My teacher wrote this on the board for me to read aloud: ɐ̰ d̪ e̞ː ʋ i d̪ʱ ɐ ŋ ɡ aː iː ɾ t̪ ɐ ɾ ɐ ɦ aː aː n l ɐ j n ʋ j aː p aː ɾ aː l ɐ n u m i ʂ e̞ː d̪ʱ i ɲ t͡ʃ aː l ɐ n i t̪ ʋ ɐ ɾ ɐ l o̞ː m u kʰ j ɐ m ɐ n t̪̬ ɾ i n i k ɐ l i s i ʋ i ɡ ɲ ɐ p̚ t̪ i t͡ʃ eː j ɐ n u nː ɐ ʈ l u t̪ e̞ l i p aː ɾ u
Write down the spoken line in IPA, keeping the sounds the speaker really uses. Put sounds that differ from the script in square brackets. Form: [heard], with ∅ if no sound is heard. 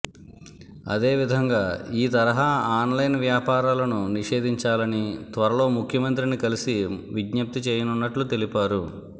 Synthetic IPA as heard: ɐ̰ d̪ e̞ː ʋ i d̪ʱ ɐ ŋ ɡ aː iː [∅] t̪ ɐ ɾ ɐ ɦ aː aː n l ɐ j n ʋ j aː p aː ɾ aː l ɐ n u [n] i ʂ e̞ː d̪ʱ i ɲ t͡ʃ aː l ɐ n i t̪ ʋ ɐ ɾ ɐ l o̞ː m u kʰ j ɐ m ɐ n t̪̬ ɾ i n i k ɐ l i s i ʋ i ɡ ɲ ɐ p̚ t̪ i t͡ʃ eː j ɐ n u nː ɐ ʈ l u t̪ e̞ l i p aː ɾ u